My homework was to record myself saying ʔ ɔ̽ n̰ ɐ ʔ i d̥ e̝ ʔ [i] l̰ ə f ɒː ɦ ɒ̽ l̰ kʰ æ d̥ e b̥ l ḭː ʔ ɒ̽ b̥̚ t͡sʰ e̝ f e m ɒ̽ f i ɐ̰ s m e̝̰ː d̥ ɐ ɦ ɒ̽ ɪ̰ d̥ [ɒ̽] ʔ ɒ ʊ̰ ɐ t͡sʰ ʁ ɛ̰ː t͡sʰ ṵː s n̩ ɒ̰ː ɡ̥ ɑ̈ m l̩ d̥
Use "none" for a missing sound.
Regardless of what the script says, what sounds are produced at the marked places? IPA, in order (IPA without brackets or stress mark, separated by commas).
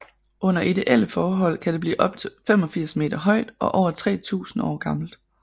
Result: e, ɒ̽